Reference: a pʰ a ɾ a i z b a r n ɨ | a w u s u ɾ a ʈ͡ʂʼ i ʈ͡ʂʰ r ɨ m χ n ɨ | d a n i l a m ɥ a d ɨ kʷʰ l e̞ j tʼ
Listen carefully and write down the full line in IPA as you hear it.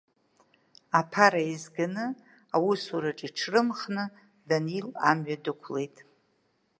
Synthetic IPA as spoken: a pʰ a ɾ a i z ɡ a n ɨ | a w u s u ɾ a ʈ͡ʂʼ i ʈ͡ʂʰ r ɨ m χ n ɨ | d a n i l a m ɥ a d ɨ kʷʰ l e̞ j tʼ